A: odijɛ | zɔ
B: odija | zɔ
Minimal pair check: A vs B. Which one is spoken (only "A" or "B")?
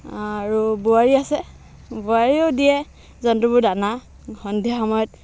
A